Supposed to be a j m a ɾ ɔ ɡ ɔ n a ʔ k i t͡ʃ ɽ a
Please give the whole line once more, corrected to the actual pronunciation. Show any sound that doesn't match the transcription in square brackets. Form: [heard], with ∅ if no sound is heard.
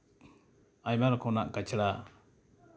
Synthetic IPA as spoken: a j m a ɾ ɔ [k] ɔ n a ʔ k [a] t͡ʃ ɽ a